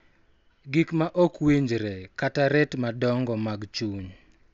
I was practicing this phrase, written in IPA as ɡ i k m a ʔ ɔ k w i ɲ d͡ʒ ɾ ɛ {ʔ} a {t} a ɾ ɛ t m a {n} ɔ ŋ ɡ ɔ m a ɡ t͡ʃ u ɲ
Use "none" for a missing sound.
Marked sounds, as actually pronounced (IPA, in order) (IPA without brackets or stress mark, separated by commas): k, t, d